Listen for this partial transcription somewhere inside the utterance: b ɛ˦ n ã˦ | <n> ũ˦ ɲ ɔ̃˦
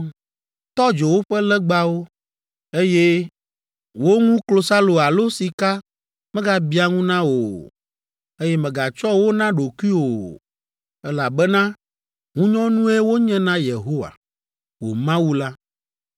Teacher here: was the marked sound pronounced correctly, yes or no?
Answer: no